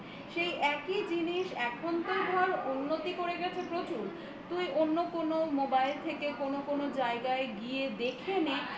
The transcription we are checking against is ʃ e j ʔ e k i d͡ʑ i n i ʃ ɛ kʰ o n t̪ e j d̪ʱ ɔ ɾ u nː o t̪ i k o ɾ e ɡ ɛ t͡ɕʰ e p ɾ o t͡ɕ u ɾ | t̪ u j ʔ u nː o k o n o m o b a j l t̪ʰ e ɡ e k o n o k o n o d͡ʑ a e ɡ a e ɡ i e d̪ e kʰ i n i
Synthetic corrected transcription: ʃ e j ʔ ɛ k i d͡ʑ i n i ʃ ɛ kʰ o n t̪ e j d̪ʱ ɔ ɾ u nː o t̪ i k o ɾ e ɡ ɛ t͡ɕʰ e p ɾ o t͡ɕ u ɾ | t̪ u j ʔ o nː o k o n o m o b a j l t̪ʰ e k e k o n o k o n o d͡ʑ a e ɡ a e ɡ i e d̪ e kʰ e n i